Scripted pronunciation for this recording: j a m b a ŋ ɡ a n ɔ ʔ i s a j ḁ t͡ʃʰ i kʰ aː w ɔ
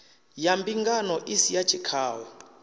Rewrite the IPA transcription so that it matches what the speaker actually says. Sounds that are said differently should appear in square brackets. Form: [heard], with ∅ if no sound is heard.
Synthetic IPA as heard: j a m b [i] ŋ ɡ a n ɔ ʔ i s [i] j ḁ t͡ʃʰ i kʰ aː w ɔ